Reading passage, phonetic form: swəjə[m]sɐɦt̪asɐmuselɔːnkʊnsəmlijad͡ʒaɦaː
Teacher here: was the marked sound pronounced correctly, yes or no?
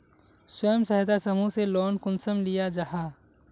yes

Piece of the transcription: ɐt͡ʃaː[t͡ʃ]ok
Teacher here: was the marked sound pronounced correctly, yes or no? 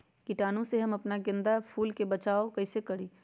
no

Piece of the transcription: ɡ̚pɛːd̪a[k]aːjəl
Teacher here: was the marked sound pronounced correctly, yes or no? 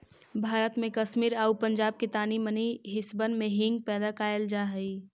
yes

